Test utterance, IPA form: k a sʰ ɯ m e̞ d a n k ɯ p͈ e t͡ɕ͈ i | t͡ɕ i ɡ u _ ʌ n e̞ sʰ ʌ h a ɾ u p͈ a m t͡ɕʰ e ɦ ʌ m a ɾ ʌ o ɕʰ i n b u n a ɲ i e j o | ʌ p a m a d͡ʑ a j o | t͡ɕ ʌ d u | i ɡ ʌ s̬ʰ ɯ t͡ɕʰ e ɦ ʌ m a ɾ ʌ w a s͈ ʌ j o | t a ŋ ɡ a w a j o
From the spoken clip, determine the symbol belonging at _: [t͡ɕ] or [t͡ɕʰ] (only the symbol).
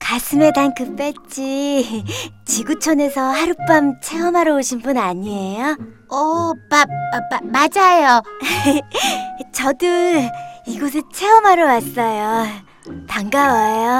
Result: t͡ɕʰ